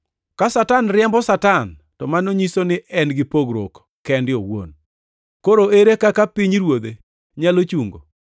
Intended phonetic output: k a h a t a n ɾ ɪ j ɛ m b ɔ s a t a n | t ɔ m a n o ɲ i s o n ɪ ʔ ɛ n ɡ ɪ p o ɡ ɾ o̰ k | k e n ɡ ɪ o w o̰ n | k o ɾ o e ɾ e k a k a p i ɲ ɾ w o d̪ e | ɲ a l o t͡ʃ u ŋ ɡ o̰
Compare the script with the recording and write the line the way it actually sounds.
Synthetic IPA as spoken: k a s a t a n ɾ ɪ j ɛ m b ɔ s a t a n | t ɔ m a n o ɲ i s o n ɪ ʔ ɛ n ɡ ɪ p o ɡ ɾ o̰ k | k ɛ n d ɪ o w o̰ n | k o ɾ o e ɾ e k a k a p i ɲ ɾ w o d̪ e | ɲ a l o t͡ʃ u ŋ ɡ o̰